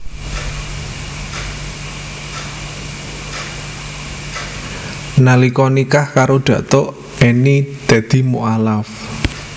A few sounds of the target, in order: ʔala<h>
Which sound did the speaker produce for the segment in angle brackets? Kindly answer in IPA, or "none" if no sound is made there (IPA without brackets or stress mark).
f